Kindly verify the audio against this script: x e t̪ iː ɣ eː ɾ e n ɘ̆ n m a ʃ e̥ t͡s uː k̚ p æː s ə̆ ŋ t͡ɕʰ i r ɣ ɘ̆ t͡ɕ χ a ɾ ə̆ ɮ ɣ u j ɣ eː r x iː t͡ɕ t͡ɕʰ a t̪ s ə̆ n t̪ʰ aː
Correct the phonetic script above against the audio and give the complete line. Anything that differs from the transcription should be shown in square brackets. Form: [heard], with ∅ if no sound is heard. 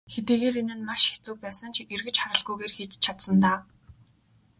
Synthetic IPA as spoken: x e t̪ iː ɣ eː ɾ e n ɘ̆ n m a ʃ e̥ t͡s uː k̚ p æː s ə̆ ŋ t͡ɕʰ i r ɣ ɘ̆ t͡ɕ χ a ɾ ə̆ ɮ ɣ u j ɣ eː r x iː t͡ɕ t͡ɕʰ a t̪ s ə̆ n [t̪] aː